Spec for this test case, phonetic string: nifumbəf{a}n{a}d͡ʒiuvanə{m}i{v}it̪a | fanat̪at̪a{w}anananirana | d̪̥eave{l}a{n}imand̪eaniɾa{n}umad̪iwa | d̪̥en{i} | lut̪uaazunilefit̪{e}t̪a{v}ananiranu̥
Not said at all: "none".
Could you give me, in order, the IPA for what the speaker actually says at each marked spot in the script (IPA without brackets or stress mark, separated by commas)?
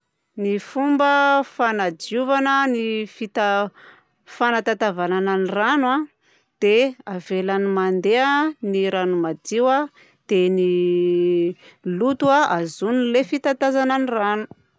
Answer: a, a, n, f, v, l, n, n, i, a, z